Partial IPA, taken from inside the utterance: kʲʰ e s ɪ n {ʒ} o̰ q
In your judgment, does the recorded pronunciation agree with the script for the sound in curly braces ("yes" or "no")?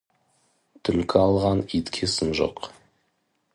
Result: yes